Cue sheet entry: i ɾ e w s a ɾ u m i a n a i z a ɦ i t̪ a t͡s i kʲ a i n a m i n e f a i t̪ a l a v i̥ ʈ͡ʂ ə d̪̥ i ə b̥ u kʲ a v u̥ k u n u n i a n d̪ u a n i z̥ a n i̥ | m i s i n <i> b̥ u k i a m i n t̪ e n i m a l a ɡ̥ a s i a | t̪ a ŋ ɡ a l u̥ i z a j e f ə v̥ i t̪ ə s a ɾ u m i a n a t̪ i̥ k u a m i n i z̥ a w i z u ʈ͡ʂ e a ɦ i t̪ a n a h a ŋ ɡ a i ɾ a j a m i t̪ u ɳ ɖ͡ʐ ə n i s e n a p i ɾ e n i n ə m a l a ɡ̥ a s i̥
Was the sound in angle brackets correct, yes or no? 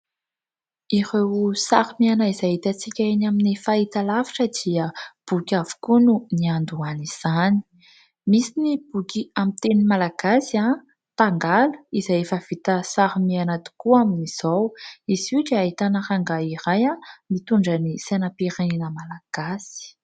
yes